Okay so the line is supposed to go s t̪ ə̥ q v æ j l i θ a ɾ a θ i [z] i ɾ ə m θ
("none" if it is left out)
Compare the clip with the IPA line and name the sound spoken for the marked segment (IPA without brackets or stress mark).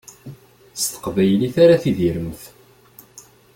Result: ð